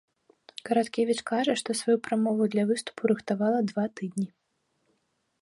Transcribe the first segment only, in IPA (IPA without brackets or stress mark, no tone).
k